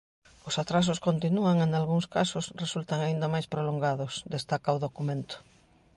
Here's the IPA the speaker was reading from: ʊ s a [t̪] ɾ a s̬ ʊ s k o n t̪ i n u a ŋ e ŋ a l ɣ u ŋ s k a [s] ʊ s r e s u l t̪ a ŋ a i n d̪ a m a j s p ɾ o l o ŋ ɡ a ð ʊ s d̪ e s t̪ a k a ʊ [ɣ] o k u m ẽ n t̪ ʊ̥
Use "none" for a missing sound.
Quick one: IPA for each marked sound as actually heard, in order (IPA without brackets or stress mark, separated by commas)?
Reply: t̪, s, ð